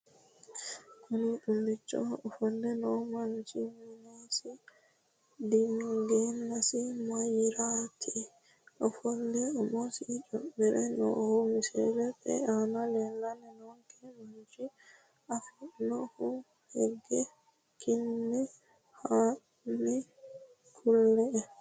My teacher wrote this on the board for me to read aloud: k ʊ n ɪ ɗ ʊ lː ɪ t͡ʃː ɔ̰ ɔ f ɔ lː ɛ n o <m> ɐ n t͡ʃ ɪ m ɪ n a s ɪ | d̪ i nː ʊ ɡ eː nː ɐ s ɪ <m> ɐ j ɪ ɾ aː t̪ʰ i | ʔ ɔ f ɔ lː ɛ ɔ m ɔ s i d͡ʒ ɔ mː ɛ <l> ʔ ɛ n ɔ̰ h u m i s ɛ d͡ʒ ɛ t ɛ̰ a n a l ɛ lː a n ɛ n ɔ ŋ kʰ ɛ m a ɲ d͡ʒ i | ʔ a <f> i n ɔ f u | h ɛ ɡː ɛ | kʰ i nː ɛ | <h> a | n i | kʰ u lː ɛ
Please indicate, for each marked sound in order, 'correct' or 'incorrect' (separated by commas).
correct, correct, incorrect, correct, correct